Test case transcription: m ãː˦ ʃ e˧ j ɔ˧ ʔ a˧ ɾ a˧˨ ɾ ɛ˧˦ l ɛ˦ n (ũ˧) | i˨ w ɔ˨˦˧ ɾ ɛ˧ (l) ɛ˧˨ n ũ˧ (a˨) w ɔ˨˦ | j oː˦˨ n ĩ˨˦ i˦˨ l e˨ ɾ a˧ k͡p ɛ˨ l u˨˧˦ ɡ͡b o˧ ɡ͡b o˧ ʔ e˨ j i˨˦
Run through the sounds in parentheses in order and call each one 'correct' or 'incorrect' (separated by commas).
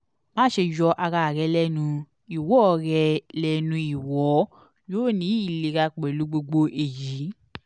correct, correct, incorrect